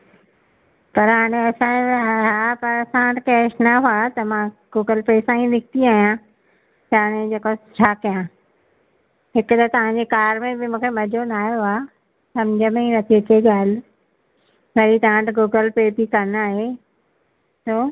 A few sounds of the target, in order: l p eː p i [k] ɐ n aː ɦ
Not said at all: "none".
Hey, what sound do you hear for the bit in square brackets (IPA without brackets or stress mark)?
k